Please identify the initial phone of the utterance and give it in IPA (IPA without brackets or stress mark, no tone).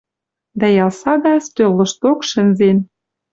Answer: d̪